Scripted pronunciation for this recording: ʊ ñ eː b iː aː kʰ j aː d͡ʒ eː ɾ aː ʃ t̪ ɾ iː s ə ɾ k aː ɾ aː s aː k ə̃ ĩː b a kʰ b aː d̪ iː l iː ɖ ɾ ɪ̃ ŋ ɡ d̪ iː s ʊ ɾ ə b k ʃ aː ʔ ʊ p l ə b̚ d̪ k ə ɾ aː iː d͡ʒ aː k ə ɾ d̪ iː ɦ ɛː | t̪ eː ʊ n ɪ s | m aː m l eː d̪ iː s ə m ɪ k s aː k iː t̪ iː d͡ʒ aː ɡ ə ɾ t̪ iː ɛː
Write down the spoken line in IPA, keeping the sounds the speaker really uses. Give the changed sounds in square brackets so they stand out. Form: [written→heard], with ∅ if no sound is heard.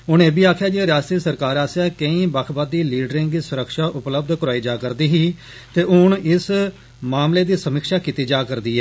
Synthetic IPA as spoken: ʊ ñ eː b iː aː kʰ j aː d͡ʒ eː ɾ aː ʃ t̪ ɾ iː s ə ɾ k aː ɾ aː s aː k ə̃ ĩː b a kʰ b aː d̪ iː l iː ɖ ɾ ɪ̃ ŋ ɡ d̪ iː s ʊ ɾ ə [b→∅] k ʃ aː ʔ ʊ p l ə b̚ d̪ k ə ɾ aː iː d͡ʒ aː k ə ɾ d̪ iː ɦ [ɛː→iː] | t̪ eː ʊ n ɪ s | m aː m l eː d̪ iː s ə m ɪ k [s→ʃ] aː k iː t̪ iː d͡ʒ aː [ɡ→k] ə ɾ [t̪→d̪] iː ɛː